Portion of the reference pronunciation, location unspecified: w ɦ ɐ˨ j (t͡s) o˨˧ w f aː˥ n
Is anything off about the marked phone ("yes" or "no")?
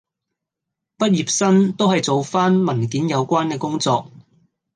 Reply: no